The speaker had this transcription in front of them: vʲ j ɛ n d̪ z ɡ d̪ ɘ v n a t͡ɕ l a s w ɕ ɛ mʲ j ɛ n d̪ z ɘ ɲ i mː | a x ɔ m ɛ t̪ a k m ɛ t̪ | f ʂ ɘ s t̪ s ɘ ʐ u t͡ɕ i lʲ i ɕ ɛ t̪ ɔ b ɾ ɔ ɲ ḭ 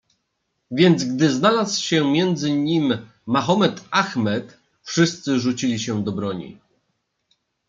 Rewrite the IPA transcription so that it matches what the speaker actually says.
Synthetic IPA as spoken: vʲ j ɛ n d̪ z ɡ d̪ ɘ z n a l a s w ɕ ɛ mʲ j ɛ n d̪ z ɘ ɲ i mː | a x ɔ m ɛ t̪ a x m ɛ t̪ | f ʂ ɘ s t̪ s ɘ ʐ u t͡ɕ i lʲ i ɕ ɛ d̪ ɔ b ɾ ɔ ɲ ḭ

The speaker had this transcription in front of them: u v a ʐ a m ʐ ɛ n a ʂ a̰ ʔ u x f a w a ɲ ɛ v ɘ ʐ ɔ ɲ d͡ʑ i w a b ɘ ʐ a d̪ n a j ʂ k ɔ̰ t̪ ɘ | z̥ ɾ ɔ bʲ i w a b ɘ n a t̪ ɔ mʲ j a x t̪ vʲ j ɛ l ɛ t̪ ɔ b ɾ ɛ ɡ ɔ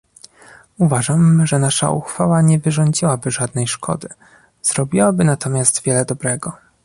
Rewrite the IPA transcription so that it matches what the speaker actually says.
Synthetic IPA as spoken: u v a ʐ a m ʐ ɛ n a ʂ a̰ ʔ u x f a w a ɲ ɛ v ɘ ʐ ɔ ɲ d͡ʑ i w a b ɘ ʐ a d̪ n ɛ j ʂ k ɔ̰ d̪ ɘ | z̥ ɾ ɔ bʲ i w a b ɘ n a t̪ ɔ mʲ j a s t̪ vʲ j ɛ l ɛ d̪ ɔ b ɾ ɛ ɡ ɔ

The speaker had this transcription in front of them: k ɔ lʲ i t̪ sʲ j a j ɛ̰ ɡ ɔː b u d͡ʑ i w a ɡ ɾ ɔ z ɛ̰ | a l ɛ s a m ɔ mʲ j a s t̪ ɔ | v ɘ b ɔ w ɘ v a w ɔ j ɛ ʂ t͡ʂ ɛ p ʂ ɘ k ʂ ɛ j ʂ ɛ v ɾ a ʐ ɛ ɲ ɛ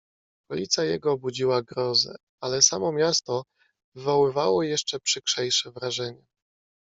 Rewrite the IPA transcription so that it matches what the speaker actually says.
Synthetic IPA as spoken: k ɔ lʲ i t̪ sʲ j a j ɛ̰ ɡ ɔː b u d͡ʑ i w a ɡ ɾ ɔ z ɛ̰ | a l ɛ s a m ɔ mʲ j a s t̪ ɔ | v ɘ v ɔ w ɘ v a w ɔ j ɛ ʂ t͡ʂ ɛ p ʂ ɘ k ʂ ɛ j ʂ ɛ v ɾ a ʐ ɛ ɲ ɛ

